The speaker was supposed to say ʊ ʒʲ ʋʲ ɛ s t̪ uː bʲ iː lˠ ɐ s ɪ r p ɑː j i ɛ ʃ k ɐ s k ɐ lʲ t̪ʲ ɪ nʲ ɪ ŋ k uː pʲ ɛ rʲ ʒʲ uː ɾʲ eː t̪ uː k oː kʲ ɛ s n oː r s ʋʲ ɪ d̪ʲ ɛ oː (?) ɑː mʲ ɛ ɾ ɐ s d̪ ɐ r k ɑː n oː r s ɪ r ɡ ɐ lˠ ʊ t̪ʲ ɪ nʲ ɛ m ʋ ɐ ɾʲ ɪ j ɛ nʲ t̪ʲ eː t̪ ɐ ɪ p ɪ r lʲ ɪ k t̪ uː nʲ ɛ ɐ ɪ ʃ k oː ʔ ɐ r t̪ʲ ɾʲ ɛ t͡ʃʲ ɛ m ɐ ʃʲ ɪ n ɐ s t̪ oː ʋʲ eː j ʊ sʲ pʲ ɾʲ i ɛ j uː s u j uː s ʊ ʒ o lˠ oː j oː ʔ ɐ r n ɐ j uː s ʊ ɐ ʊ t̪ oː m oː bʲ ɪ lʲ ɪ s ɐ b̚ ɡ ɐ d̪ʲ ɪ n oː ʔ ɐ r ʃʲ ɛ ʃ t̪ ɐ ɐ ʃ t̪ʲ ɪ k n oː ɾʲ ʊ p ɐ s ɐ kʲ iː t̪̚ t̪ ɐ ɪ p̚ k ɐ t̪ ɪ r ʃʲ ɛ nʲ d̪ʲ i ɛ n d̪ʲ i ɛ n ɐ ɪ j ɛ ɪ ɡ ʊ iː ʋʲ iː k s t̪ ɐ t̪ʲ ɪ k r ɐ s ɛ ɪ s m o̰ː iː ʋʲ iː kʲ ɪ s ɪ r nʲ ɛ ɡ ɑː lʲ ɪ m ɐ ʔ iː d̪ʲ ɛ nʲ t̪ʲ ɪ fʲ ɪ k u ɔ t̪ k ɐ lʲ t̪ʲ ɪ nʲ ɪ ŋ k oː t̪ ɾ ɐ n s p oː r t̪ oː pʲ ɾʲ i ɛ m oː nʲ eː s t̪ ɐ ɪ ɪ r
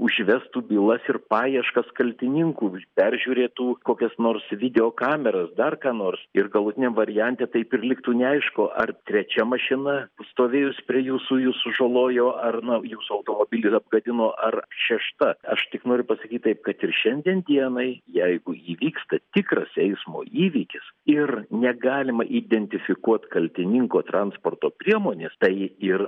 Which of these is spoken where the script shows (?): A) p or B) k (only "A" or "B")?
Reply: B